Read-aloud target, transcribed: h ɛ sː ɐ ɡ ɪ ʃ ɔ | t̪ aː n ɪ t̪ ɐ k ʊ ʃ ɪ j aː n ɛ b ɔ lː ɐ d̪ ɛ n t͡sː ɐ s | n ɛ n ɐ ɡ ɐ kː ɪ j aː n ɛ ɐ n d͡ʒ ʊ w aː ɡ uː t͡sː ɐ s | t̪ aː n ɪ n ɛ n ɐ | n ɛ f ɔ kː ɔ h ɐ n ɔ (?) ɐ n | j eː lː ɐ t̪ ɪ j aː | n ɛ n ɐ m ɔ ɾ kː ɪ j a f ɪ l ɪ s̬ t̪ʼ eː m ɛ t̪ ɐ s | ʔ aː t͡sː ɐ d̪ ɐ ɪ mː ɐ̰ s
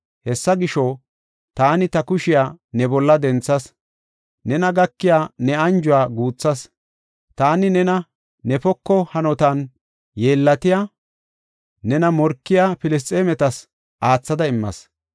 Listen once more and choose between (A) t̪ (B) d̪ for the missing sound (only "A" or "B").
A